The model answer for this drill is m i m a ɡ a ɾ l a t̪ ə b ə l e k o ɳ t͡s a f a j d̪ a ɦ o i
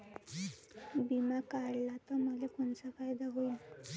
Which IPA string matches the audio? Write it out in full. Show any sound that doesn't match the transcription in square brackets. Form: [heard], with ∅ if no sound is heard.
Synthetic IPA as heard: [b] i m a [k] a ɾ l a t̪ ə [m] ə l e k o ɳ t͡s a f a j d̪ a ɦ o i